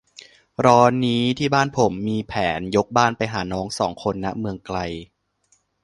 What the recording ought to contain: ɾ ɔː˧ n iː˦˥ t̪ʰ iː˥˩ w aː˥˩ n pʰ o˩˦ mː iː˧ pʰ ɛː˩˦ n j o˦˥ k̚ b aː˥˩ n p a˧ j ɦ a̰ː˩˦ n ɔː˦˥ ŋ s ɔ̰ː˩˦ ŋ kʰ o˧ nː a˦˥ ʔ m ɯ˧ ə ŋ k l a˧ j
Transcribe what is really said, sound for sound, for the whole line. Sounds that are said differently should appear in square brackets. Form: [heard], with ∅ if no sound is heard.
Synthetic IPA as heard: ɾ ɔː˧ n iː˦˥ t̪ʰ iː˥˩ [b] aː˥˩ n pʰ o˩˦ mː iː˧ pʰ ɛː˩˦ n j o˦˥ k̚ b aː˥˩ n p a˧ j ɦ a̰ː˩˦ n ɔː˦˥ ŋ s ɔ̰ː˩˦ ŋ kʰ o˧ nː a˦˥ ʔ m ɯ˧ ə ŋ k l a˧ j